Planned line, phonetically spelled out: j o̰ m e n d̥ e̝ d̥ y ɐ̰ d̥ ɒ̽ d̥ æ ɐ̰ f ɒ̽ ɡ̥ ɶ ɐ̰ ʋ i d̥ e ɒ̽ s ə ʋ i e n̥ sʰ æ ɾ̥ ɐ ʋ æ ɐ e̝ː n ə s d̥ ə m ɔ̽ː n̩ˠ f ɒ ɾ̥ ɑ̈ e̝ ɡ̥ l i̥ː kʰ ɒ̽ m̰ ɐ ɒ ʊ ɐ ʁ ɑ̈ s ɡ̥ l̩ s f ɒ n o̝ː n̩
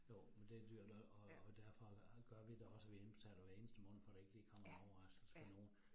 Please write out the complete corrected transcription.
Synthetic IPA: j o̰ m e n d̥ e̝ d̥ y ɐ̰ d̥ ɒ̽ d̥ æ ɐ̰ f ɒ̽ ɡ̥ ɶ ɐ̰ ʋ i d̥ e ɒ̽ s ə ʋ i e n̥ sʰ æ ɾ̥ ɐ ʋ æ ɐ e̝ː n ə s d̥ ə m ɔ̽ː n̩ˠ f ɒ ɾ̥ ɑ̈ e̝ ɡ̥ l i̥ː kʰ ɒ̽ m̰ ɐ ɒ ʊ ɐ ʁ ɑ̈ s ɡ̥ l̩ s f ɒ n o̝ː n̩

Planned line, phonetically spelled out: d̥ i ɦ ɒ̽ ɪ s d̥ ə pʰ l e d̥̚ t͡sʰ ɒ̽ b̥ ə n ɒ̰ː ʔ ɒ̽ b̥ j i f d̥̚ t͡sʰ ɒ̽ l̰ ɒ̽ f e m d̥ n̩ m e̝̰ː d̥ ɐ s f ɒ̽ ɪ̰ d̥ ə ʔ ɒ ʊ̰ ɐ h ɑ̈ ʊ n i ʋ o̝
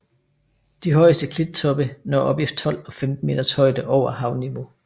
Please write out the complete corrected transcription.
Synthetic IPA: d̥ i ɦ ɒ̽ ɪ s d̥ ə kʰ l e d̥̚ t͡sʰ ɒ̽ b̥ ə n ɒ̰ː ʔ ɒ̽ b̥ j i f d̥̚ t͡sʰ ɒ̽ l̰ ɒ̽ f e m d̥ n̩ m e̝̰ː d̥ ɐ s h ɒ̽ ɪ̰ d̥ ə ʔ ɒ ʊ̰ ɐ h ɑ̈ ʊ n i ʋ o̝

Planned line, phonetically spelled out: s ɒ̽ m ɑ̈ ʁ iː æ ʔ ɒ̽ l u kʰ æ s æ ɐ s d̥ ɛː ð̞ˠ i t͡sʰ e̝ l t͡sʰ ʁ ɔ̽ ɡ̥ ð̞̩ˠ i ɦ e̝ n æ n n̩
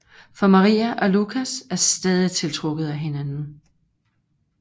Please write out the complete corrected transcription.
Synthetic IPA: f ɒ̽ m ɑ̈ ʁ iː æ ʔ ɒ̽ l u kʰ æ s æ ɐ s d̥ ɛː ð̞ˠ i t͡sʰ e̝ l t͡sʰ ʁ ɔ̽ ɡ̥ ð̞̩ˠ æ ɦ e̝ n æ n n̩

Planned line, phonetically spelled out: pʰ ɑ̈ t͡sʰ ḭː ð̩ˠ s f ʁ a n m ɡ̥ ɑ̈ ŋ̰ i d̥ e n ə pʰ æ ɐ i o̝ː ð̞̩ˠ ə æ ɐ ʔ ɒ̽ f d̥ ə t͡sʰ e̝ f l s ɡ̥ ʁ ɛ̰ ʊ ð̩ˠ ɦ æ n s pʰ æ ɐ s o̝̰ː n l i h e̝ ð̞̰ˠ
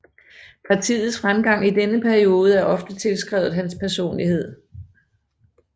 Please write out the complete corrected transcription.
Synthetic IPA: pʰ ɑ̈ t͡sʰ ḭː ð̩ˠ s f ʁ a m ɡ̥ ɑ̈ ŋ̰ i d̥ e n ə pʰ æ ɐ i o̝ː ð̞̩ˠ ə æ ɐ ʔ ɒ̽ f d̥ ə t͡sʰ e̝ l s ɡ̥ ʁ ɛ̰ ʊ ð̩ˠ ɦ æ n s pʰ æ ɐ s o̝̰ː n l i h e̝ ð̞̰ˠ

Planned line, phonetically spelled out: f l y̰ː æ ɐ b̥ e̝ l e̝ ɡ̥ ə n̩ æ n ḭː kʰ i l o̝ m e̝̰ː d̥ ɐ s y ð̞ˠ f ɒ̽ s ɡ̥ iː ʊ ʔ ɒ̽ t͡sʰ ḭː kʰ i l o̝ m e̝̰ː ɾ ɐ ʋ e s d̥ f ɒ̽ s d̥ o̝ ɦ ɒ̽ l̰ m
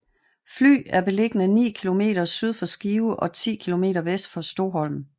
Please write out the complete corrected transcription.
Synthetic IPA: f l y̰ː æ ɐ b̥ e̝ l e̝ ɡ̥ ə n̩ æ n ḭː kʰ i l o̝ m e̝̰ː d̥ ɐ s y ð̞ˠ f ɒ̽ s ɡ̥ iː ʊ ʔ ɒ̽ t͡sʰ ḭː kʰ i l o̝ m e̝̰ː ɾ ɐ ʋ e s d̥ f ɒ̽ s d̥ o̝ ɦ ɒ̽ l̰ m

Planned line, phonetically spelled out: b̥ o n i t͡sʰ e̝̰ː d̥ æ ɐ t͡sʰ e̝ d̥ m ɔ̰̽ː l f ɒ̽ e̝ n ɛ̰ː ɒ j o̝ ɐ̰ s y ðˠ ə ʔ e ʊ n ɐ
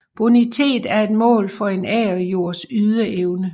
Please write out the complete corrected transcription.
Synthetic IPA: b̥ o n i t͡sʰ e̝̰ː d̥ æ ɐ e̝ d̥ m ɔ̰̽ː l f ɒ̽ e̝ n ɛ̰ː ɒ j o̝ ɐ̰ s y ðˠ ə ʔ e ʊ n ə

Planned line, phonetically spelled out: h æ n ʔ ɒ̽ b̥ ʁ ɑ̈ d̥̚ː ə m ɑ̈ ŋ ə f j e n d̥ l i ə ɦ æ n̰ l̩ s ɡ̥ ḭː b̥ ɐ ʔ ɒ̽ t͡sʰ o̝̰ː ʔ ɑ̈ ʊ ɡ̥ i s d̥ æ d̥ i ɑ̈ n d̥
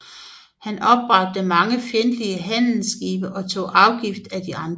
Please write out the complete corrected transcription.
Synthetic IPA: h æ n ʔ ɒ̽ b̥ ʁ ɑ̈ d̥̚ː ə m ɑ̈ ŋ ə f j e n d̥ l i ə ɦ æ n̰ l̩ s ɡ̥ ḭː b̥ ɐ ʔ ɒ̽ t͡sʰ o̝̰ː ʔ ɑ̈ ʊ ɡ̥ i f d̥ æ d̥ i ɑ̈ n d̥

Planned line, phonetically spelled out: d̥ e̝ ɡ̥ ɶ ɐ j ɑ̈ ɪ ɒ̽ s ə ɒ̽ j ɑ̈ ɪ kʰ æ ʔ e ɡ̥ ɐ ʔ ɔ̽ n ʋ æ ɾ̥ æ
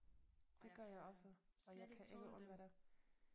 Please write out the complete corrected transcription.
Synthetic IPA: d̥ e̝ ɡ̥ ɶ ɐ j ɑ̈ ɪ ɒ̽ s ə ɒ̽ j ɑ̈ ɪ kʰ æ ʔ e ɡ̥ ə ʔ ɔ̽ n ʋ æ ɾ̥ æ

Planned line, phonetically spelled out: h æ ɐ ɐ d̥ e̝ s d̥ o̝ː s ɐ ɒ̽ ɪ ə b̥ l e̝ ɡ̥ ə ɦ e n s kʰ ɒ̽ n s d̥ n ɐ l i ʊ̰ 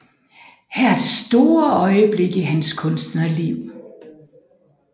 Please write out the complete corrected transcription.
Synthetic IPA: h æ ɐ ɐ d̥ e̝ s d̥ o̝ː ɐ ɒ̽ ɪ ə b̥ l e̝ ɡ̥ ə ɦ æ n s kʰ ɔ̽ n s d̥ n ɐ l i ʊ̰

